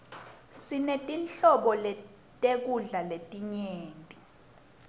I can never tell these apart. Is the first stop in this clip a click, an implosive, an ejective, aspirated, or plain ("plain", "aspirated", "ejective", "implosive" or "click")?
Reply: ejective